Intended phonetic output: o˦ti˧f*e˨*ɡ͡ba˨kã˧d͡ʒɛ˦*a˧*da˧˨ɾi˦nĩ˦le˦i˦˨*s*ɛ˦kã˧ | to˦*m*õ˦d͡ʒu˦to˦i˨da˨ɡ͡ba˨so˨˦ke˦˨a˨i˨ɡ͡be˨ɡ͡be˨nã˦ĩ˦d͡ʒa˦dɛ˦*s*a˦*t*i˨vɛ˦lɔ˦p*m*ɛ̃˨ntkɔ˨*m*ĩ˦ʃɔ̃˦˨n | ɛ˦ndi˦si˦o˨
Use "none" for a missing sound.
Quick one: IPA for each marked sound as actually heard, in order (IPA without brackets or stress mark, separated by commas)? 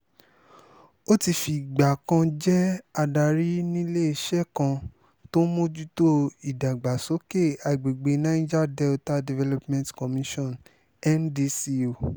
i˨, a˧, ʃ, m, t, d, m, m